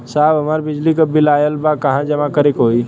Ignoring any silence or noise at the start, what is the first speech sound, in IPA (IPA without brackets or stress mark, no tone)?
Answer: s